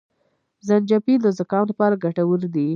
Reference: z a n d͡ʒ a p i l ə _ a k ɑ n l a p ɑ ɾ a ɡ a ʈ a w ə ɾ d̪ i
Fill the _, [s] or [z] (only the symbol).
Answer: z